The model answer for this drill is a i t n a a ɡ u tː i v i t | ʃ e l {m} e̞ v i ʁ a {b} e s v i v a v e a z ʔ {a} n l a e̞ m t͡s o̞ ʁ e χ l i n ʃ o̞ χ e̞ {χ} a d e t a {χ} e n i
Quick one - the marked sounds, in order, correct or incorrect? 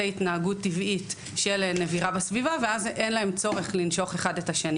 incorrect: n, correct, incorrect: e, correct, incorrect: ʃ

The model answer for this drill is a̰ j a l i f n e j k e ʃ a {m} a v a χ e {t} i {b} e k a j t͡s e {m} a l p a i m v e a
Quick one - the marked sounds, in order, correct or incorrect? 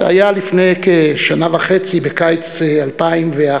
incorrect: n, incorrect: t͡s, correct, incorrect: none

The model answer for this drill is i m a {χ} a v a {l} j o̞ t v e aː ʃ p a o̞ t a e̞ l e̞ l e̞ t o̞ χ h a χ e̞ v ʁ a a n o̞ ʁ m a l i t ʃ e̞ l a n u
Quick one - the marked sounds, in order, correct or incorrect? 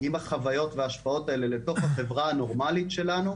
correct, incorrect: none

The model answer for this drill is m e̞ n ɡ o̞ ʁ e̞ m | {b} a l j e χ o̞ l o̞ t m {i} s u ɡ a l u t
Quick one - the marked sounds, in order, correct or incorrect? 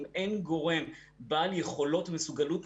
correct, incorrect: e

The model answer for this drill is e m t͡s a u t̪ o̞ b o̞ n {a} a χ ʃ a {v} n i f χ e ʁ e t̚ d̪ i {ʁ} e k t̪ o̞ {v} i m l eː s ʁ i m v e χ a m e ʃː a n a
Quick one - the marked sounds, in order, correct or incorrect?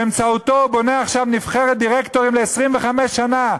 incorrect: e, correct, correct, incorrect: ʁ

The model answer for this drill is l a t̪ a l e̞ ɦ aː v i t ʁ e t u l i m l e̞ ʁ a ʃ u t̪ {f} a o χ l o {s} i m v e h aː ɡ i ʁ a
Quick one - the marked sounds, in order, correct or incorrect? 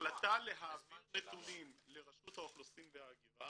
incorrect: h, correct

